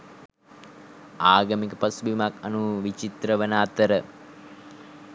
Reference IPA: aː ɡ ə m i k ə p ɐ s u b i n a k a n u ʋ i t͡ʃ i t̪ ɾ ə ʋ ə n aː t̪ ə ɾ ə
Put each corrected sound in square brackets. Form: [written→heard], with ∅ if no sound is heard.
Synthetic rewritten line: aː ɡ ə m i k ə p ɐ s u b i [n→m] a k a n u ʋ i t͡ʃ i t̪ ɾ ə ʋ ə n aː t̪ ə ɾ ə